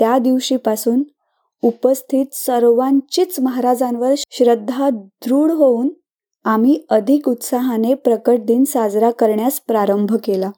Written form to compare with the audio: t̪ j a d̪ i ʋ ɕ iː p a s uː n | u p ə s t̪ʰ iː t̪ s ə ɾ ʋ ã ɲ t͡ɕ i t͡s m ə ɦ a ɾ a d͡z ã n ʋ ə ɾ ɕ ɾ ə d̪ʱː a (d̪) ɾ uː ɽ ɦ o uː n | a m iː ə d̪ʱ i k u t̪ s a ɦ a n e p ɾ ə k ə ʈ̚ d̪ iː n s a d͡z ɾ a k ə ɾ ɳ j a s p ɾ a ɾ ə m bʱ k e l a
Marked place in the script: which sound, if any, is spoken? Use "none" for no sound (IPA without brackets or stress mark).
d̪